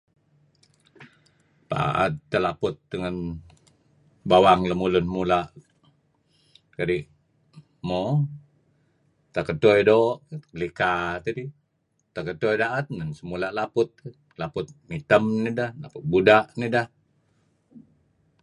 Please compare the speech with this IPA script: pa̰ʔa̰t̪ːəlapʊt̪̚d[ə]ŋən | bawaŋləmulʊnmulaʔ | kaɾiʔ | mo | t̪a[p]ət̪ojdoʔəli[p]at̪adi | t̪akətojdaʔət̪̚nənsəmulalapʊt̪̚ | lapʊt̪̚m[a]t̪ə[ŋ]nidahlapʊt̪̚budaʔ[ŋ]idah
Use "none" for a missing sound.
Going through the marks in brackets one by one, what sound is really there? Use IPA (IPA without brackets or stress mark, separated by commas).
ə, k, k, i, m, n